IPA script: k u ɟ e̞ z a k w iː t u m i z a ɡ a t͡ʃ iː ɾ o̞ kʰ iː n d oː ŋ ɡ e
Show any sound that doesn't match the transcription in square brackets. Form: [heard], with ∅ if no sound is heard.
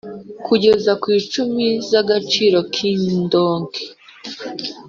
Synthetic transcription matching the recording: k u ɟ e̞ z a k w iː [t͡ʃ] u m i z a ɡ a t͡ʃ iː ɾ o̞ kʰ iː n d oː ŋ ɡ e